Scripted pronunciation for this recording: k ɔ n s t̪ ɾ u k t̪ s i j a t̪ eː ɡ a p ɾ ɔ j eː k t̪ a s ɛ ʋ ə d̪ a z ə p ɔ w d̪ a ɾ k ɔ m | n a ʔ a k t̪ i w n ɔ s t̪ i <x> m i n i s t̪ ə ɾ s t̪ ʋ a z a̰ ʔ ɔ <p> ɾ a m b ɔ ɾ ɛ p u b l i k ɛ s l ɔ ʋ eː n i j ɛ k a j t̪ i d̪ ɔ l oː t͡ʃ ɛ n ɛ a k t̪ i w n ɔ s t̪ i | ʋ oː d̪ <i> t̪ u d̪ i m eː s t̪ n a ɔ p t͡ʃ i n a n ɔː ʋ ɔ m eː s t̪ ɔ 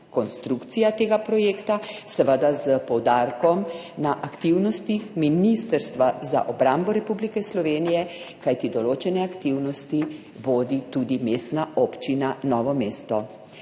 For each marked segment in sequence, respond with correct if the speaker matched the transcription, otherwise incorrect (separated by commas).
correct, incorrect, correct